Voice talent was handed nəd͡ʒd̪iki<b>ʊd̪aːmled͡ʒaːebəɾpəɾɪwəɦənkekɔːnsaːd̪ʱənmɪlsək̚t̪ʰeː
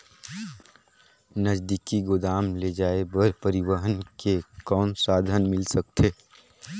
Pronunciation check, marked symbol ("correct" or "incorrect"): incorrect